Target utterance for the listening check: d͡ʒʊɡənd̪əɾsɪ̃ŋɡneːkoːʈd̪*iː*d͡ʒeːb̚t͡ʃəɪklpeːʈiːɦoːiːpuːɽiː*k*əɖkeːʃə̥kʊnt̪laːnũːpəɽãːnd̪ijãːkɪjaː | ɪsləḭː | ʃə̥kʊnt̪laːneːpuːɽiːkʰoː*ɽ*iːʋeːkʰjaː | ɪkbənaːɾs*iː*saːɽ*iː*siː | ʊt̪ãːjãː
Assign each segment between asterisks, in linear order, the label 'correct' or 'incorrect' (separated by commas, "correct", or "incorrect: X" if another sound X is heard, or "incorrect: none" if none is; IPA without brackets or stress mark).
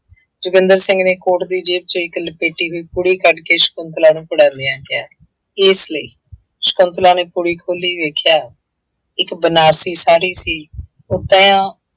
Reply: correct, correct, incorrect: l, correct, correct